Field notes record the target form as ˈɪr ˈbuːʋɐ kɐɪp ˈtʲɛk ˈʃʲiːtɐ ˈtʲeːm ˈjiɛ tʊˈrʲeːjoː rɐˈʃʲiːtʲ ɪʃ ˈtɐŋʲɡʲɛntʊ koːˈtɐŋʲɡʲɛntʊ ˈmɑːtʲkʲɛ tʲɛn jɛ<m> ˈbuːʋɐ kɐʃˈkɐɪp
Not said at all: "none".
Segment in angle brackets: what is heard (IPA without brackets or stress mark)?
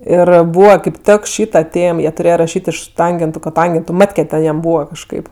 m